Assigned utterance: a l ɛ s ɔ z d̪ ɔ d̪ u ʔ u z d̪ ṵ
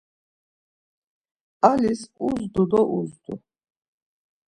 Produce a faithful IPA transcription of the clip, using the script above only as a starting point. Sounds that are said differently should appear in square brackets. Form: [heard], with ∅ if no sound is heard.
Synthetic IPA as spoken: a l [i] s [u] z d̪ [u] d̪ [ɔ] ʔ u z d̪ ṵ